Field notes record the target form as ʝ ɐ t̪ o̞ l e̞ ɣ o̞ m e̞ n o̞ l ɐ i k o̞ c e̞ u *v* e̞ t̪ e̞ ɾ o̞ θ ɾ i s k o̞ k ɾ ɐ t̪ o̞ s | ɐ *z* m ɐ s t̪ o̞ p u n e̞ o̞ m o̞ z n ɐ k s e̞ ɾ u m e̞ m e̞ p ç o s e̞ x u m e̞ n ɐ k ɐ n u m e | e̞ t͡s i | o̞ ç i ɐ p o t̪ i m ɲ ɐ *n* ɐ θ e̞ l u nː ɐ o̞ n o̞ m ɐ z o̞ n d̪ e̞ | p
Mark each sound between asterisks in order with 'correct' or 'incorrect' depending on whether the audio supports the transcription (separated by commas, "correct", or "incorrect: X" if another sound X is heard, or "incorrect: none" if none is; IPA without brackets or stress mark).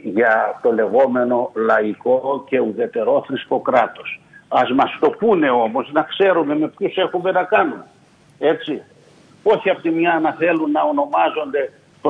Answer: incorrect: ð, correct, correct